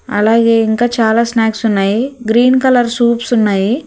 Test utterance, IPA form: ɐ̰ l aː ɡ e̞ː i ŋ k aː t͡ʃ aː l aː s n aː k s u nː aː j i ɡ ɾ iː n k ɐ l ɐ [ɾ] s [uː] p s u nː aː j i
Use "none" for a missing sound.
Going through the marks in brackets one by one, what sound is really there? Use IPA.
ɾ, uː

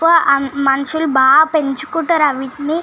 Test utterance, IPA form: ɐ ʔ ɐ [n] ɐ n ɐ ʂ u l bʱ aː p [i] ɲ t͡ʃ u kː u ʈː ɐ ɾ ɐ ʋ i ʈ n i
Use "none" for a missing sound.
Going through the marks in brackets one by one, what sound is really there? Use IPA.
m, e

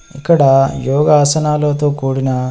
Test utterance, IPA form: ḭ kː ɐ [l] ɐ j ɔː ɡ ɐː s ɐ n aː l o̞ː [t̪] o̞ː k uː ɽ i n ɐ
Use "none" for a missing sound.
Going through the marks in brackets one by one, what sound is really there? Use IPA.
ɽ, t̪

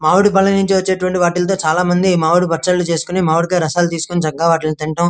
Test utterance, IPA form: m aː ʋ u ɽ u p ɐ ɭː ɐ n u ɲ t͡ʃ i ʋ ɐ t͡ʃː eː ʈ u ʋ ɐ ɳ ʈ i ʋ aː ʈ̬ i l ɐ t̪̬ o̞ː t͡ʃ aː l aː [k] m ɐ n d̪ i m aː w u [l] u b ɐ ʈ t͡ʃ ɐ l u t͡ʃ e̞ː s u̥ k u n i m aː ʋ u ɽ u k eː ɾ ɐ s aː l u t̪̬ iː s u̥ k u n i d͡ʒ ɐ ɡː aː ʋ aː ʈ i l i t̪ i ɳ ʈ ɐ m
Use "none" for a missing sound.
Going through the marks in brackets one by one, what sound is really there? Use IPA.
none, ɽ

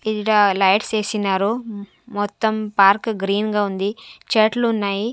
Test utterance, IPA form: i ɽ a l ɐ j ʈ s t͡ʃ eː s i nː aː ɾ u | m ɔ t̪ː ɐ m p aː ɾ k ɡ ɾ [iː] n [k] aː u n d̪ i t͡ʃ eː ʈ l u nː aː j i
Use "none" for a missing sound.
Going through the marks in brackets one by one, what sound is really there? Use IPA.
iː, ɡ

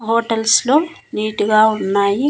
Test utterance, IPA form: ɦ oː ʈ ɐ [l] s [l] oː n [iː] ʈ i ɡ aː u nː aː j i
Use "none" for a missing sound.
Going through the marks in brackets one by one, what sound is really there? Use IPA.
l, l, iː

